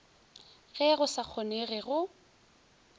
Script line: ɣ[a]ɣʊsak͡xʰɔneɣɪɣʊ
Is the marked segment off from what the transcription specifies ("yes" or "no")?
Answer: yes